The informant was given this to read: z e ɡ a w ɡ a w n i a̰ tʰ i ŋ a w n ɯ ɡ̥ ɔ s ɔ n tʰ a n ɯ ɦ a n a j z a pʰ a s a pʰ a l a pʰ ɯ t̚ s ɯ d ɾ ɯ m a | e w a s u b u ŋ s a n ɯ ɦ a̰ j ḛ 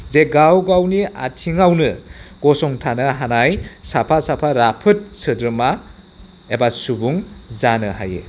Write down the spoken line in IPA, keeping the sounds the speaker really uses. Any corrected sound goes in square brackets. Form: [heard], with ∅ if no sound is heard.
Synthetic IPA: z e ɡ a w ɡ a w n i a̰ tʰ i ŋ a w n ɯ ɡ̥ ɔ s ɔ [ŋ] tʰ a n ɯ ɦ a n a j [s] a pʰ a s a pʰ a [ɾ] a pʰ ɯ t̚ s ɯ d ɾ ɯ m a | e [b] a s u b u ŋ [z] a n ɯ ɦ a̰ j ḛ